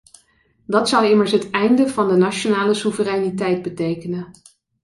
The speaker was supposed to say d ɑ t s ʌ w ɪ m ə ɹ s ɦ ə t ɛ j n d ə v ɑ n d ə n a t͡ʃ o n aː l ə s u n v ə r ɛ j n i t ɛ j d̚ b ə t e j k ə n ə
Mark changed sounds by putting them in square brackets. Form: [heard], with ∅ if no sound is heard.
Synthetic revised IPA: d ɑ t s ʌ w ɪ m ə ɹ s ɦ ə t ɛ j n d ə v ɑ n d ə n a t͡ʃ o n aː l ə s u [∅] v ə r ɛ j n i t ɛ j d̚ b ə t e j k ə n ə